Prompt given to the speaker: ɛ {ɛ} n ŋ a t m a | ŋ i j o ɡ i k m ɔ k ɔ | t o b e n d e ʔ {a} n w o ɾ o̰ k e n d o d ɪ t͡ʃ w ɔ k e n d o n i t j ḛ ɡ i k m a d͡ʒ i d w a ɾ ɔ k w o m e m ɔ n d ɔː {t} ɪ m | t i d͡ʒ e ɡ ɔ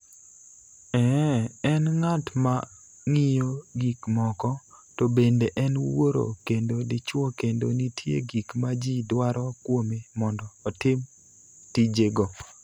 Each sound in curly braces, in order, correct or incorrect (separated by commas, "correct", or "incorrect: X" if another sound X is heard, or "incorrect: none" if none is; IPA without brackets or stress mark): correct, incorrect: ɛ, correct